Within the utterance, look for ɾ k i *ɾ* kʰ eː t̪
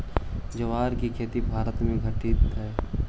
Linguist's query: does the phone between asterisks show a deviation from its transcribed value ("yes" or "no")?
yes